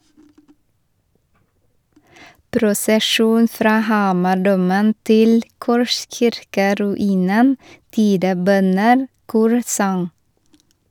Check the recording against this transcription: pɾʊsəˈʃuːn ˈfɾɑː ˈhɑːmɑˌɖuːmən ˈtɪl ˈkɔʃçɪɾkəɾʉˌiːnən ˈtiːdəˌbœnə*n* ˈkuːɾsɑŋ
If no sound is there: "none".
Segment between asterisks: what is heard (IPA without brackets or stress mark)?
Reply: n